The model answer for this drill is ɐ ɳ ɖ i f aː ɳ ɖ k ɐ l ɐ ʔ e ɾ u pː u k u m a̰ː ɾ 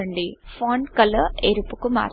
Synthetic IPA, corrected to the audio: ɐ ɳ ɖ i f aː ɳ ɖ k ɐ l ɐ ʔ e ɾ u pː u k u m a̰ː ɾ

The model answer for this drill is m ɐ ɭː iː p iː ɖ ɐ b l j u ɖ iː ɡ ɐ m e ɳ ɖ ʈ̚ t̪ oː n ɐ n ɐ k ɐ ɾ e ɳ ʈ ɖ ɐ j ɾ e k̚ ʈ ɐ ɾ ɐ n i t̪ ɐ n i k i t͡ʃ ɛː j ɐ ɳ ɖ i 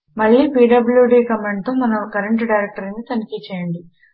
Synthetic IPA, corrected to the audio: m ɐ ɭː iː p iː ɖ ɐ b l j u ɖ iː k ɐ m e ɳ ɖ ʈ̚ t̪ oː m ɐ n ɐ k ɐ ɾ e ɳ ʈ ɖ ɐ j ɾ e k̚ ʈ ɐ ɾ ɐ n i t̪ ɐ n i k i t͡ʃ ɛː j ɐ ɳ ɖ i

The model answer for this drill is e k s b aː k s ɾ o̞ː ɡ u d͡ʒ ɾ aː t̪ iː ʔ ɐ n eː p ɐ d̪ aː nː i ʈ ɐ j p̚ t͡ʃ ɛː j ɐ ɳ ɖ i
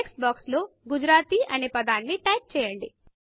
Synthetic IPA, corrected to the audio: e k s b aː k s l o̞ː ɡ u d͡ʒ ɾ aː t̪ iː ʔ ɐ n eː p ɐ d̪ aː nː i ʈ ɐ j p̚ t͡ʃ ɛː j ɐ ɳ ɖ i

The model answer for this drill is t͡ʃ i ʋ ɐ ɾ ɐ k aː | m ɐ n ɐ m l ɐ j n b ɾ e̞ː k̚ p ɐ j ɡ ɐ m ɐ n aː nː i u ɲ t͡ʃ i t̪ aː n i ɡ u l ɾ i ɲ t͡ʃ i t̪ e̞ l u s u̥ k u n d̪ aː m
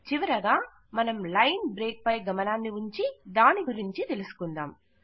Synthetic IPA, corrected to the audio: t͡ʃ i ʋ ɐ ɾ ɐ ɡ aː | m ɐ n ɐ m l ɐ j n b ɾ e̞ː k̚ p ɐ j ɡ ɐ m ɐ n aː nː i u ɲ t͡ʃ i d̪ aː n i ɡ u ɾ i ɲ t͡ʃ i t̪ e̞ l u s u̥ k u n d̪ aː m

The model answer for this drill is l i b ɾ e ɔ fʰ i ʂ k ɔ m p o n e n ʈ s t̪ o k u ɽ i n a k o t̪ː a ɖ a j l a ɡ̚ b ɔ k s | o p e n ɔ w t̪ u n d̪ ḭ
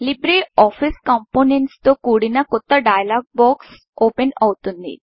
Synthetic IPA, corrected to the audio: l i b ɾ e ɔ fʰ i s k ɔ m p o n e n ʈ s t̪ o k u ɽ i n a k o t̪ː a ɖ a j l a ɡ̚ b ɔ k s | o p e n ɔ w t̪ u n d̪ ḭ

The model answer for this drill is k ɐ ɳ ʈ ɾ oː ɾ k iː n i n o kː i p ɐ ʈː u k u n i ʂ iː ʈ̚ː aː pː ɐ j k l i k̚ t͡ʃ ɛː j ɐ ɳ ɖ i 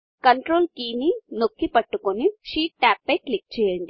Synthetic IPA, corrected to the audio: k ɐ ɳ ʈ ɾ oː l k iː n i n o kː i p ɐ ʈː u k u n i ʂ iː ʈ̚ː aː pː ɐ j k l i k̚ t͡ʃ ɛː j ɐ ɳ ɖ i

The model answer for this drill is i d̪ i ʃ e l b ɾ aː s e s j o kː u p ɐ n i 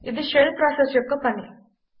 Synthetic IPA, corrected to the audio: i d̪ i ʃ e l p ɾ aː s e s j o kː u p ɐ n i

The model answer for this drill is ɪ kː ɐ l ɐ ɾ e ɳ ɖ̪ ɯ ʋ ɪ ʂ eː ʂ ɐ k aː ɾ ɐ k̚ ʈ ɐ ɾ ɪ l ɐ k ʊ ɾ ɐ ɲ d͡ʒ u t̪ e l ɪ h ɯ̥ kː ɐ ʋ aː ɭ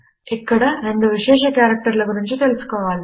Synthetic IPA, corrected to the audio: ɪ kː ɐ ɽ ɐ ɾ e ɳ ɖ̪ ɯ ʋ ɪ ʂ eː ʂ ɐ k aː ɾ ɐ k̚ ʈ ɐ ɾ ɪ l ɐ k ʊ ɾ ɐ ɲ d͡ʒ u t̪ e l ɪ s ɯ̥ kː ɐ ʋ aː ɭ

